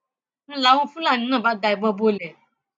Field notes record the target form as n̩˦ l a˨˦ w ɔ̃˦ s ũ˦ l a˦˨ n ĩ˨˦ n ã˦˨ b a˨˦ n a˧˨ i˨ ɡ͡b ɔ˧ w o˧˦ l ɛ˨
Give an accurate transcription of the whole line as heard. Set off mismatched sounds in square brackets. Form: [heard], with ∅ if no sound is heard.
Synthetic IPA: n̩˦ l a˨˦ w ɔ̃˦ [f] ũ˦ l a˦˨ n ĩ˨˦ n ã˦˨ b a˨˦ [d] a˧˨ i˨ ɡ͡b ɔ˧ [b] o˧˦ l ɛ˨